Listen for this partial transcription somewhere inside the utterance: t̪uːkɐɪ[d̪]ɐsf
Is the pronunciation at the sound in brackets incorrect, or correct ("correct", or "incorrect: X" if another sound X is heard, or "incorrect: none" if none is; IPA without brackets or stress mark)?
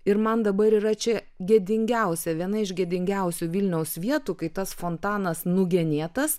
incorrect: t̪